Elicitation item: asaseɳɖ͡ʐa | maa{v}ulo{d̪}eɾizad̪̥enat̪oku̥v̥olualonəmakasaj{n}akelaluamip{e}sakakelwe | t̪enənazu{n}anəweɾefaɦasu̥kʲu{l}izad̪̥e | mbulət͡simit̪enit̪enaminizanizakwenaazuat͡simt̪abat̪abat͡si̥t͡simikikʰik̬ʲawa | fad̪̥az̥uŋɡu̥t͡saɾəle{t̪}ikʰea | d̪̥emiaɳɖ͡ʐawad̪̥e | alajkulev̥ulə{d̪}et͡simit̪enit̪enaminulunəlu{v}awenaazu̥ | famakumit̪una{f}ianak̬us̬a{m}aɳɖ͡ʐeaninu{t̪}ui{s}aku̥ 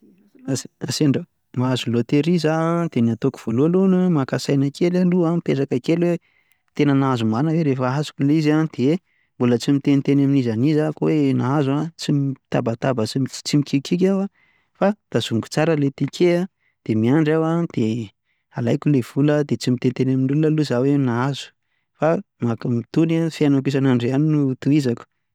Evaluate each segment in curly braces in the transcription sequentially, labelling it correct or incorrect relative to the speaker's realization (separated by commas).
incorrect, incorrect, correct, correct, incorrect, correct, correct, correct, incorrect, correct, incorrect, correct, incorrect